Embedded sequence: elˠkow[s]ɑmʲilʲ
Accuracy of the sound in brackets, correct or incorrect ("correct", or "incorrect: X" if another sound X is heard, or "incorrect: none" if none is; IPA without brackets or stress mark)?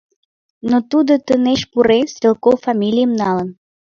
incorrect: f